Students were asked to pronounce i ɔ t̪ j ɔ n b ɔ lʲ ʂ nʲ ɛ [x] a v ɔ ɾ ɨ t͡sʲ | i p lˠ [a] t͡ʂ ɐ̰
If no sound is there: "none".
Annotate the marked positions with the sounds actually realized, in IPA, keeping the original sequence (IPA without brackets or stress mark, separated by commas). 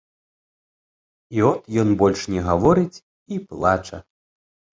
ɣ, a